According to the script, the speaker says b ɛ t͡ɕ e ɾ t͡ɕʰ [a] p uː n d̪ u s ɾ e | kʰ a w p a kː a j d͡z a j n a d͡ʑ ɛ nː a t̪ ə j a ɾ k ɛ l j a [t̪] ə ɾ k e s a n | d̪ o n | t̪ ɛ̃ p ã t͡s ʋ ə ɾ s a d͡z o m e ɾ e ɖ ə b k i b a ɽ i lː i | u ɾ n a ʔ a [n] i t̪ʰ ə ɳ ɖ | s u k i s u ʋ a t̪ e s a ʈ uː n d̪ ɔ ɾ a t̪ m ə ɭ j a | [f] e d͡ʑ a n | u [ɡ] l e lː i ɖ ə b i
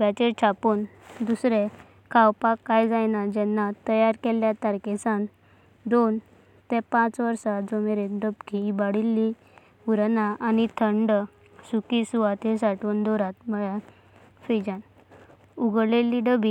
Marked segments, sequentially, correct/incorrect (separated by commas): correct, correct, correct, correct, correct